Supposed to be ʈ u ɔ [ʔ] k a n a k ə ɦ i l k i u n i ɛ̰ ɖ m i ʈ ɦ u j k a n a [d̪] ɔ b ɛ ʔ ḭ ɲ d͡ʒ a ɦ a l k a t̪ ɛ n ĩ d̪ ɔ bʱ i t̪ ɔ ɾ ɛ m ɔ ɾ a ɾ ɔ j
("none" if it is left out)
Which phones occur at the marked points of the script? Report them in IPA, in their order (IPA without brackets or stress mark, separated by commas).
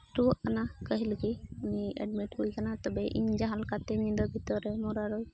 ʔ, t̪